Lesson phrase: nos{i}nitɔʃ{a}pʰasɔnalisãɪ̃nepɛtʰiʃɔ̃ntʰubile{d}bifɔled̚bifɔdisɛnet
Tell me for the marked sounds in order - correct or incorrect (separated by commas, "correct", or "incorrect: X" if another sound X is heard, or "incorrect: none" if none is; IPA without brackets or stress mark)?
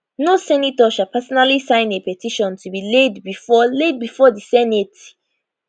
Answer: incorrect: ɛ, correct, correct